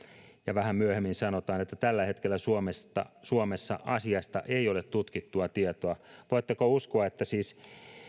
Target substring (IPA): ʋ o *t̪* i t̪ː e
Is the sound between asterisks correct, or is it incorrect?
incorrect